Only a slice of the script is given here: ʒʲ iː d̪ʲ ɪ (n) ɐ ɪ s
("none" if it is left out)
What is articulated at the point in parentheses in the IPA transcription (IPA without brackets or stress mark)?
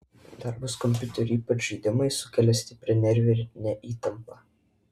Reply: m